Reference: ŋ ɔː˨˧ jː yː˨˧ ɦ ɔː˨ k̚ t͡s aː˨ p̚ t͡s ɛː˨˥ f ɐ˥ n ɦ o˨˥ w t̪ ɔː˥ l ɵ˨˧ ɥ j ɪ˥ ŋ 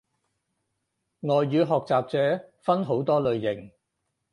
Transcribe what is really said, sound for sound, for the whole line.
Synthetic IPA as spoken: ŋ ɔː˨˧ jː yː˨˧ ɦ ɔː˨ k̚ t͡s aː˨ p̚ t͡s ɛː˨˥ f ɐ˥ n ɦ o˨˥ w t̪ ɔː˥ l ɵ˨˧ ɥ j ɪ˨˩ ŋ